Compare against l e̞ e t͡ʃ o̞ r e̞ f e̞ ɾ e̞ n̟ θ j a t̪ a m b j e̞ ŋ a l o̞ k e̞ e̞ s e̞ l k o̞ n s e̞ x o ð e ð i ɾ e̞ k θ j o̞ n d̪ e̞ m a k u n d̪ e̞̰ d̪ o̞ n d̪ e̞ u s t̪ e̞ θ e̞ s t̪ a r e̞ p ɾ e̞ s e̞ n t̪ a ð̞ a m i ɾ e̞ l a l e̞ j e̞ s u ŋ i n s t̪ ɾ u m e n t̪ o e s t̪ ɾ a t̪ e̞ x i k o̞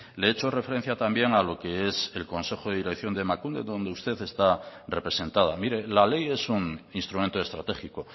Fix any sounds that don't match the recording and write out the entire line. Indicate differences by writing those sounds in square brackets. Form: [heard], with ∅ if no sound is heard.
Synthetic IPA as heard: l e̞ e t͡ʃ o̞ r e̞ f e̞ ɾ e̞ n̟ θ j a t̪ a m b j e̞ ŋ a l o̞ k e̞ e̞ s e̞ l k o̞ n s e̞ x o ð e ð i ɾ e̞ k θ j o̞ n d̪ e̞ m a k u n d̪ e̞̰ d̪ o̞ n d̪ e̞ u s t̪ e̞ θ e̞ s t̪ a r e̞ p ɾ e̞ s e̞ n t̪ a ð̞ a m i ɾ e̞ l a l e̞ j e̞ s u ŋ i n s t̪ ɾ u m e n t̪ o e s t̪ ɾ a t̪ e̞ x i k o̞